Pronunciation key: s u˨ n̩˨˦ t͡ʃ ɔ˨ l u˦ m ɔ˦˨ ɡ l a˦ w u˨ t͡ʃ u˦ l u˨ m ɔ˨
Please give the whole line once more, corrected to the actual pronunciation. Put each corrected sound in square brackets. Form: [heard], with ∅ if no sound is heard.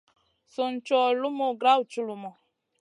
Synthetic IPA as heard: s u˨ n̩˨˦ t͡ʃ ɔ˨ l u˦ m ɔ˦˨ ɡ [ɾ] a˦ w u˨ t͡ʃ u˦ l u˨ m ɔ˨